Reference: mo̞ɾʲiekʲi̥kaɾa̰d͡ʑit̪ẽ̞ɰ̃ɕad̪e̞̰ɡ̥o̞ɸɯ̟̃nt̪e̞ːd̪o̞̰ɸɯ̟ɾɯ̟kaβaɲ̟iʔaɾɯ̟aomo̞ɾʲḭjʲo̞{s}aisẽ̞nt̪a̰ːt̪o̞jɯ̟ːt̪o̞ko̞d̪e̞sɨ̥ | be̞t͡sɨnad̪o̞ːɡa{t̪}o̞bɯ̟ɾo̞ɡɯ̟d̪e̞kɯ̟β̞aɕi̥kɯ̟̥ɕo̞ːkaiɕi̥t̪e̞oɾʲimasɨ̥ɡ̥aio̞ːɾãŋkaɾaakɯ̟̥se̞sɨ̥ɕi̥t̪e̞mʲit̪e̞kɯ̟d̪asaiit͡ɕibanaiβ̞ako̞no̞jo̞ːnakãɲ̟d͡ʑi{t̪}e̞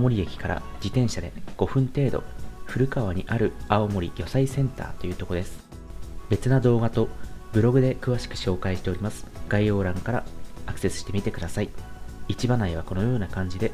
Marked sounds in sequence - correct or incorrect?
correct, correct, incorrect: d̪

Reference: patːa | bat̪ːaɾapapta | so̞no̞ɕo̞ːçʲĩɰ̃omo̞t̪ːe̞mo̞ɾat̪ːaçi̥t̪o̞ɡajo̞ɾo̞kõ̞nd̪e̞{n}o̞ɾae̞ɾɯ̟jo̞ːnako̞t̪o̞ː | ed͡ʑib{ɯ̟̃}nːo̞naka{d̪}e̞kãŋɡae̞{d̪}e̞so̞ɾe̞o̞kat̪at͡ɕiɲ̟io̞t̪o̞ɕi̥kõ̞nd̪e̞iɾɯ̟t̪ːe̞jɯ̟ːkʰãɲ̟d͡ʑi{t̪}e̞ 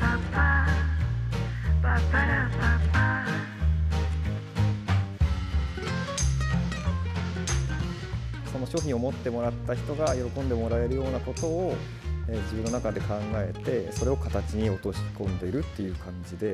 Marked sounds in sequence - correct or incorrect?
incorrect: m, incorrect: ɯ̟, correct, incorrect: t̪, incorrect: d̪

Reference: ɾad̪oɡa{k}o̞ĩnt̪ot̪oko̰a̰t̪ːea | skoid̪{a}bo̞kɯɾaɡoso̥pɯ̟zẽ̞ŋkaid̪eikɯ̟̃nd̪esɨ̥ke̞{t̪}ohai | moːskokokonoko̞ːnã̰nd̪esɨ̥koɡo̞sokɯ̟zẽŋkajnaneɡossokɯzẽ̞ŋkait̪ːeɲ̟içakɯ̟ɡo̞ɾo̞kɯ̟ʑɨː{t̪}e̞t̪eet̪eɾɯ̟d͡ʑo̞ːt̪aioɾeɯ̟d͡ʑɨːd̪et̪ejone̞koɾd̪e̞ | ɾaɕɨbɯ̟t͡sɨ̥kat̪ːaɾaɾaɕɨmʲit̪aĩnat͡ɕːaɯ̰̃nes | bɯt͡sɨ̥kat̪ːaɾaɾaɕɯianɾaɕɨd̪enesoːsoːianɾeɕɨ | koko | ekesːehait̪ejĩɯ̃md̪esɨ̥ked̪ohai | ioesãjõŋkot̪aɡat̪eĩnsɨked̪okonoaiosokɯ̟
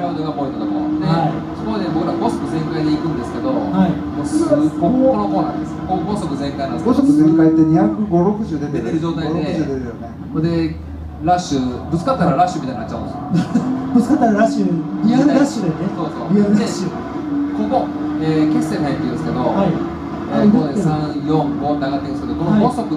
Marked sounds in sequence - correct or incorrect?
incorrect: p, incorrect: e, incorrect: d̪, incorrect: d̪

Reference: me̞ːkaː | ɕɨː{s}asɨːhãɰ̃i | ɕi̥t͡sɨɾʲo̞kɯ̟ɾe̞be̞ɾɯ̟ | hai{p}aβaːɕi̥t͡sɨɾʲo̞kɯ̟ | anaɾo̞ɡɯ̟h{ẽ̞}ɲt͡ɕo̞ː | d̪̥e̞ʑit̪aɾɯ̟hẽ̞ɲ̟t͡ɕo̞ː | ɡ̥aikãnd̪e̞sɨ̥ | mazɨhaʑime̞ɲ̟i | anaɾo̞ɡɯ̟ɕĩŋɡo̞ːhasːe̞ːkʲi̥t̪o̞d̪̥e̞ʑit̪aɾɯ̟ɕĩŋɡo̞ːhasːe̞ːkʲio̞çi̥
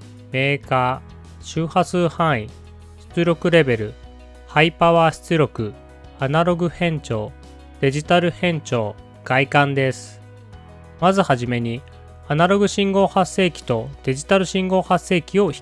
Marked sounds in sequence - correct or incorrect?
incorrect: h, correct, correct

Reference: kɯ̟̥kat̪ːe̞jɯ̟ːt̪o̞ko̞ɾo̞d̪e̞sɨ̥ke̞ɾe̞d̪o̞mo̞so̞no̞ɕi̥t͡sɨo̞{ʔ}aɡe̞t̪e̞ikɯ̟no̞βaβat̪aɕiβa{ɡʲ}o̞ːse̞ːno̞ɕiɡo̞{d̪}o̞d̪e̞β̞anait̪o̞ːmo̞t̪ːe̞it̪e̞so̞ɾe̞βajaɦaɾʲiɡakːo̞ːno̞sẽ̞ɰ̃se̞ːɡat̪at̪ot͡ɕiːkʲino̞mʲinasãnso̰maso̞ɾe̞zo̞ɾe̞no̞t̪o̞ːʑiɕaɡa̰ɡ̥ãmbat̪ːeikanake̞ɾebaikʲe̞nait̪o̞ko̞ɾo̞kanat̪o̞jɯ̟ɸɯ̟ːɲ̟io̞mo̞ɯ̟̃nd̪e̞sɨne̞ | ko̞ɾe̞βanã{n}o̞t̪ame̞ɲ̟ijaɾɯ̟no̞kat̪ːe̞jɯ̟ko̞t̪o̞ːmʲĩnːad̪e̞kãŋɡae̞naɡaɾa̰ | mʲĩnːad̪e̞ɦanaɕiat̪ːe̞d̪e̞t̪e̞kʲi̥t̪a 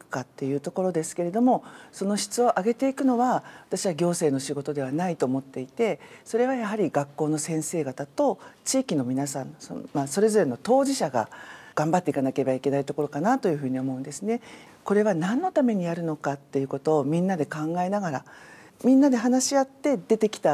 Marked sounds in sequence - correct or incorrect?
correct, correct, incorrect: t̪, incorrect: nː

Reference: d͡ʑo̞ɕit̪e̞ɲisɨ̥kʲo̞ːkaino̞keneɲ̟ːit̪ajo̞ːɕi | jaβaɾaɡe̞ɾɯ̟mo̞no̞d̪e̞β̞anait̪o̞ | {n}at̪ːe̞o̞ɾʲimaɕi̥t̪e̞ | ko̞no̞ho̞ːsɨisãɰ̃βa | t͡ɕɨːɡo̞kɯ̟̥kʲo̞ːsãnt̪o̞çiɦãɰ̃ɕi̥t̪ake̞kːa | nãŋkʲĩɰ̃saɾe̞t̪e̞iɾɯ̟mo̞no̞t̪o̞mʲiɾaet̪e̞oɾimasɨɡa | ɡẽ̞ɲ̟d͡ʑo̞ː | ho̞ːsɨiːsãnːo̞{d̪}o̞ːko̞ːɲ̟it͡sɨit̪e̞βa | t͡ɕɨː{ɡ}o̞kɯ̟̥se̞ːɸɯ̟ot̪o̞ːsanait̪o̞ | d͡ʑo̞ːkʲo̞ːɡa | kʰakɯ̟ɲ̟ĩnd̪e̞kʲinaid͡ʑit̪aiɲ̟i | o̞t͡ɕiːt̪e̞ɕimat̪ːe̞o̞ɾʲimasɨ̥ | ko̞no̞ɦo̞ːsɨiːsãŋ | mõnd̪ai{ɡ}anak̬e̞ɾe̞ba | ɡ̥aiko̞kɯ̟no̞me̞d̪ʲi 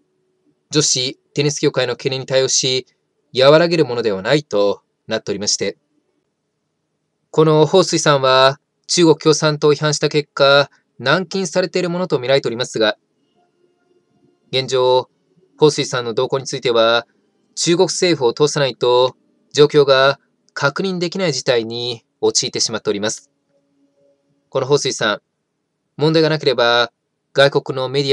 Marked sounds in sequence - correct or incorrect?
correct, correct, correct, correct

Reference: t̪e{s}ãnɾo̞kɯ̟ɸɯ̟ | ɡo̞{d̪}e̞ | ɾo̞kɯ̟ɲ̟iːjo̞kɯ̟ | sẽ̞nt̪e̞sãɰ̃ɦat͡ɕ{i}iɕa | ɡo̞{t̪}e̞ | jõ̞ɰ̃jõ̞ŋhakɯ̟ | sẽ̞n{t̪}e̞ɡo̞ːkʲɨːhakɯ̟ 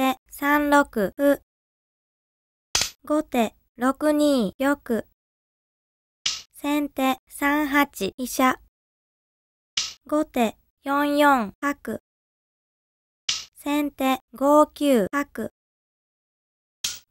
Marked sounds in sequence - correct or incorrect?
correct, incorrect: t̪, correct, correct, correct

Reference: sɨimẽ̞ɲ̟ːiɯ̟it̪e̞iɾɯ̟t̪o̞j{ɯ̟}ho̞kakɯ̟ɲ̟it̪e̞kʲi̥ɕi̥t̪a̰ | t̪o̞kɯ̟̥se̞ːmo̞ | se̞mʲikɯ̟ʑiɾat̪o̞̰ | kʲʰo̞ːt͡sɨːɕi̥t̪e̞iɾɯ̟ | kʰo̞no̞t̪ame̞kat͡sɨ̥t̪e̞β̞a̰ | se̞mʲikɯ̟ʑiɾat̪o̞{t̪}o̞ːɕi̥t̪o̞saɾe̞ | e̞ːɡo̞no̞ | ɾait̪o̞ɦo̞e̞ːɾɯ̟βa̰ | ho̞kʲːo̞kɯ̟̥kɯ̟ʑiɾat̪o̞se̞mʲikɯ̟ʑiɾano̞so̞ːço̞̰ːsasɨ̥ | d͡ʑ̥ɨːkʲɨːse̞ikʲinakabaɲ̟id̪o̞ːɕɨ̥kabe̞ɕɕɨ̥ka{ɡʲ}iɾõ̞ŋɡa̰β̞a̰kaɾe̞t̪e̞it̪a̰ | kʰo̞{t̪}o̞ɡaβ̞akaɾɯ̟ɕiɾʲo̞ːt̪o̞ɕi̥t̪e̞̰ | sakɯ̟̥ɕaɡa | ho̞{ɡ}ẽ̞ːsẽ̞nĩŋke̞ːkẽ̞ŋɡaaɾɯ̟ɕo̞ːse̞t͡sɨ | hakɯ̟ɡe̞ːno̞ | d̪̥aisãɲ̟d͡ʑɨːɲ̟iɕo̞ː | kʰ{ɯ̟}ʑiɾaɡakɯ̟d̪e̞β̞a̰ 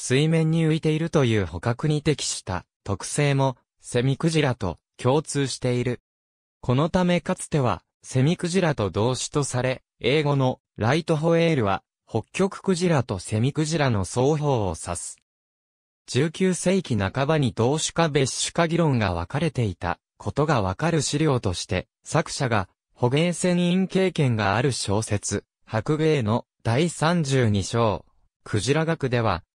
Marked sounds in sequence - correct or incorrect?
incorrect: ɯ̟ː, incorrect: d̪, correct, correct, correct, correct

